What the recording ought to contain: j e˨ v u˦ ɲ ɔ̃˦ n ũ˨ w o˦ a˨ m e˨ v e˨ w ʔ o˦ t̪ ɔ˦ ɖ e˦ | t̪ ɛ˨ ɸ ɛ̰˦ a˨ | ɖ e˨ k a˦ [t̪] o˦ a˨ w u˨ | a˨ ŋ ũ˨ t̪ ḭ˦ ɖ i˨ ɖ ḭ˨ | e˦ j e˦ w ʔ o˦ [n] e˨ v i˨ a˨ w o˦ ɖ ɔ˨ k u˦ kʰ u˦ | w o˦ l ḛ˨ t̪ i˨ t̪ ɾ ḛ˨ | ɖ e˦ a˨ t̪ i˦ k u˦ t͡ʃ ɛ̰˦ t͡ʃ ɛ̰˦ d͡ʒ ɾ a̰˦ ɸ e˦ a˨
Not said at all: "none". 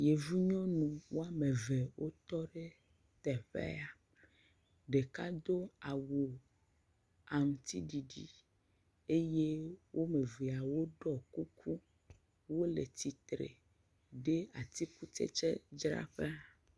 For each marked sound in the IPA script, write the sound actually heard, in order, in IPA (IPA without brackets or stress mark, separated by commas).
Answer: d̪, m